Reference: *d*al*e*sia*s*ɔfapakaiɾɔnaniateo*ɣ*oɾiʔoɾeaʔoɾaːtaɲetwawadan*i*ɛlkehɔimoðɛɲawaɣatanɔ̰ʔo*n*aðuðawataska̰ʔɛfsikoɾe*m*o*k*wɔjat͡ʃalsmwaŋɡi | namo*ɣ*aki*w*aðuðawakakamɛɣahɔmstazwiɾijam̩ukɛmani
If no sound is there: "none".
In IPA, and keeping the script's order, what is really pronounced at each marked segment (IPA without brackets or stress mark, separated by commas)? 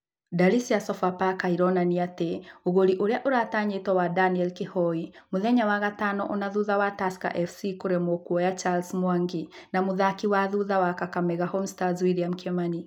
d, i, s, ɣ, i, n, m, k, ð, w